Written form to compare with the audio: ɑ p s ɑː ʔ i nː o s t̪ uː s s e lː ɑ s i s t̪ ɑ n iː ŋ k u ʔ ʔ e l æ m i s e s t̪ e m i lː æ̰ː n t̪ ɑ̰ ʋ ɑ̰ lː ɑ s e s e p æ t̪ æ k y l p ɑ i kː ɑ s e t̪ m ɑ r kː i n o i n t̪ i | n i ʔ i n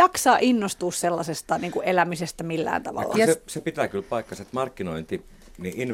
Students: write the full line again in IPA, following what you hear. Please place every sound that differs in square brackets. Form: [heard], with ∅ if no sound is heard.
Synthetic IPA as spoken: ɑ [k] s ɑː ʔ i nː o s t̪ uː s s e lː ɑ s [e] s t̪ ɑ n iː ŋ k u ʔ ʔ e l æ m i s e s t̪ [æ] m i lː æ̰ː n t̪ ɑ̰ ʋ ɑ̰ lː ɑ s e s e p [i] t̪ æ k y l p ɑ i kː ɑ s e t̪ m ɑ r kː i n o i n t̪ i | n i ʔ i n